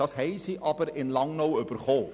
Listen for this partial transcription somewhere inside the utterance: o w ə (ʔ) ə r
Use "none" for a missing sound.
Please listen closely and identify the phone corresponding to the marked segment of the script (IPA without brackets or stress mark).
p